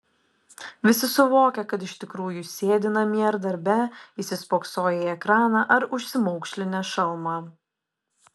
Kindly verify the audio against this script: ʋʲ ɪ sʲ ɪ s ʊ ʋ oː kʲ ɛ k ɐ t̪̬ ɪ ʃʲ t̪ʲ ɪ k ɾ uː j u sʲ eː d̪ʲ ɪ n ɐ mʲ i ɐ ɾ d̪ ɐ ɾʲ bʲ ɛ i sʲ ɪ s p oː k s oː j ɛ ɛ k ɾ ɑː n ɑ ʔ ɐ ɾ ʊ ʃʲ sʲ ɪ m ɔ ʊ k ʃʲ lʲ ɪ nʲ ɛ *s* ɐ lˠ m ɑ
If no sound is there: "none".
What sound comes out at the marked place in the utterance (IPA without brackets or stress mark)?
ʃ